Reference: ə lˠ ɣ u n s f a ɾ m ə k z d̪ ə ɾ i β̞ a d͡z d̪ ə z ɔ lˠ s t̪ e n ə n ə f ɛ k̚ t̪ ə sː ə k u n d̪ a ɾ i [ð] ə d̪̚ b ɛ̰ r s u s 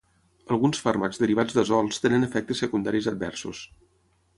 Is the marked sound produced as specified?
no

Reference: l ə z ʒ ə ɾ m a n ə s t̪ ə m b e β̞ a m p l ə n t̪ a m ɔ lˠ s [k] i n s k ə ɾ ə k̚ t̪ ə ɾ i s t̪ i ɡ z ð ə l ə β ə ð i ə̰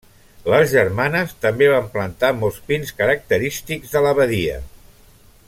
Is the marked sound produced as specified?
no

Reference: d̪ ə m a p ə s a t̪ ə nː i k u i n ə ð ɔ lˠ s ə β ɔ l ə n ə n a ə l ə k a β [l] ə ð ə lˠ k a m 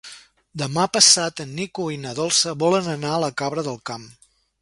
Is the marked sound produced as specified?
no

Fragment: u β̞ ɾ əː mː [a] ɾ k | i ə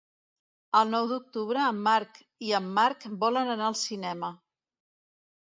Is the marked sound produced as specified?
yes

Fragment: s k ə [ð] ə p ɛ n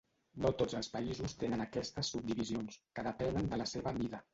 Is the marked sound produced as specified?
yes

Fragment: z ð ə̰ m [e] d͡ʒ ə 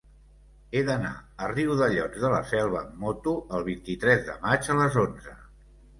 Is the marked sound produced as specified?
no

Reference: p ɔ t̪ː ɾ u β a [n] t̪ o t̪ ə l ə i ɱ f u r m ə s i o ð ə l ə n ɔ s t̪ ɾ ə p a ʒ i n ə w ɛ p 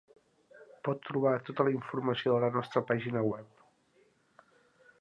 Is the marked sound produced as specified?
no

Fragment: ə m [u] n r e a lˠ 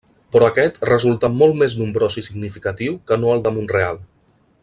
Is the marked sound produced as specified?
yes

